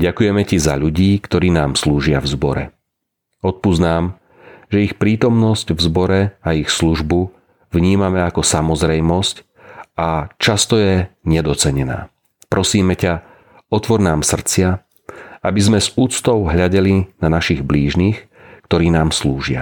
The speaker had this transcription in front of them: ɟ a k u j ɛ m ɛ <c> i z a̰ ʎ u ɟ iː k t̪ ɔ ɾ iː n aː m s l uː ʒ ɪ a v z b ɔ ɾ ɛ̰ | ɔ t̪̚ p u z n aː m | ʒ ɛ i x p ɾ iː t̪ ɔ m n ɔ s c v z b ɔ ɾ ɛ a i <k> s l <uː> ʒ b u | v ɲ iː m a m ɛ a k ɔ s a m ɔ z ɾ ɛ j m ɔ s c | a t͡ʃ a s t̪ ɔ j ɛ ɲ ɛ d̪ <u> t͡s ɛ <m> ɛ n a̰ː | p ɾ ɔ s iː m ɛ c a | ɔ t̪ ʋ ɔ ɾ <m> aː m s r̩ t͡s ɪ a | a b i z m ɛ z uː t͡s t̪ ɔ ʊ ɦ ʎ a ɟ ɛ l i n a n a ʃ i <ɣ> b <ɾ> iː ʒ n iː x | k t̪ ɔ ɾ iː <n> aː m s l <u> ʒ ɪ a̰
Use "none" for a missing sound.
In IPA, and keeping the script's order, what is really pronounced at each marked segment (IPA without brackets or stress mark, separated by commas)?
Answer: c, x, u, ɔ, ɲ, n, ɣ, l, n, uː